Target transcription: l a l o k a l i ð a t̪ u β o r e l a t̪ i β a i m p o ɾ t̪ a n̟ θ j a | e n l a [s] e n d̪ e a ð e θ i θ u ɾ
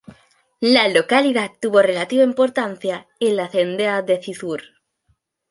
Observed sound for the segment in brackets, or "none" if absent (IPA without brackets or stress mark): θ